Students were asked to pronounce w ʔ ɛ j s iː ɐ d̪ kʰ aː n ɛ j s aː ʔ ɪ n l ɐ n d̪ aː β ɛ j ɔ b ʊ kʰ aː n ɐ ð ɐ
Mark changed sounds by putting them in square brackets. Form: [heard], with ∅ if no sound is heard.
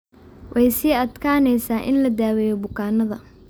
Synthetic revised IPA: w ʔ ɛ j s iː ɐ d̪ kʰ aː n ɛ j s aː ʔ ɪ n l ɐ [∅] d̪ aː [w] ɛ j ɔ b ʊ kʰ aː n ɐ ð ɐ